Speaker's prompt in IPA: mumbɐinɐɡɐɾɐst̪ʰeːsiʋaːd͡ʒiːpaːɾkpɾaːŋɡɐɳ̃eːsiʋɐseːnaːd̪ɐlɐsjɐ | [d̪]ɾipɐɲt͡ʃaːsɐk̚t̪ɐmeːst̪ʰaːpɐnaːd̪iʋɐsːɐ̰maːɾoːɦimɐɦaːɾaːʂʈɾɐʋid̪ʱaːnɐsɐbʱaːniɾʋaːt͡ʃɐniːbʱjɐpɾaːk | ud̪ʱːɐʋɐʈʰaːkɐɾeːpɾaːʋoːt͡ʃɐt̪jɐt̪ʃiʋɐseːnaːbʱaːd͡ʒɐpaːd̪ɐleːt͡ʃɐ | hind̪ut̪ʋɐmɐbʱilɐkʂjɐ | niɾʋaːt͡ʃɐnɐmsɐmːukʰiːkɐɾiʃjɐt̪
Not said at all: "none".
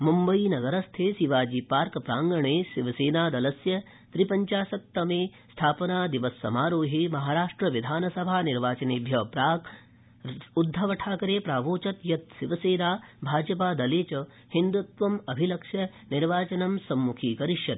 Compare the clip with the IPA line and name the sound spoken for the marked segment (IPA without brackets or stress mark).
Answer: t̪